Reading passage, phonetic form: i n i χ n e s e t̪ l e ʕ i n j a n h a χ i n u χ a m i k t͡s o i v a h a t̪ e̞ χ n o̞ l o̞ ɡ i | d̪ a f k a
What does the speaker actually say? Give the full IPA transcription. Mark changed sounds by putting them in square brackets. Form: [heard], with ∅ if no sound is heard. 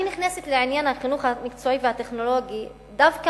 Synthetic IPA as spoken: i n i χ n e s e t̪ l e ʕ i n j a n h a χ i n u χ a m i k t͡s o i v [e] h a t̪ e̞ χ n o̞ l o̞ ɡ i | d̪ a [v] k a